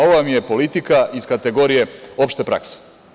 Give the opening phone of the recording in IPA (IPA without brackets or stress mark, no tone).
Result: o̞